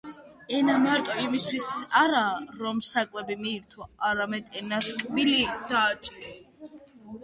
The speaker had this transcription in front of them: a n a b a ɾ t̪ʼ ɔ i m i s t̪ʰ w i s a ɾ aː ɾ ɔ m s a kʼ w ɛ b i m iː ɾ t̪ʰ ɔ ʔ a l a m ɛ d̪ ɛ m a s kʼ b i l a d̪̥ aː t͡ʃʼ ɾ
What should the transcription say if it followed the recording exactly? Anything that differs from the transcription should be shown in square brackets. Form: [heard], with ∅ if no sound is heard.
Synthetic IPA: [ɛ] n a [m] a ɾ t̪ʼ ɔ i m i s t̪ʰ w i s a ɾ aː ɾ ɔ m s a kʼ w ɛ b i m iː ɾ t̪ʰ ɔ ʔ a [ɾ] a m ɛ d̪ ɛ [n] a s kʼ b i l [i] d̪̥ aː t͡ʃʼ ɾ